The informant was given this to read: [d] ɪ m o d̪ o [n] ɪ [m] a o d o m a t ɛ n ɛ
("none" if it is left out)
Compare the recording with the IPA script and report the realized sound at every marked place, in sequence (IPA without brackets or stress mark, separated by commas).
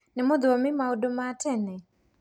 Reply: n, m, m